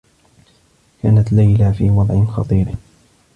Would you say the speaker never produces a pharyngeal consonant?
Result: no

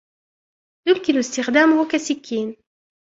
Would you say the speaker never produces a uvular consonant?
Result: no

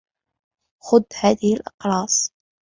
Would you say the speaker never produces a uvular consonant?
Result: no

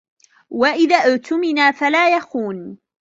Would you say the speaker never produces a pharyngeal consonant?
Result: yes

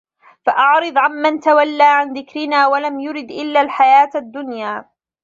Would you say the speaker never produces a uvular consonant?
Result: yes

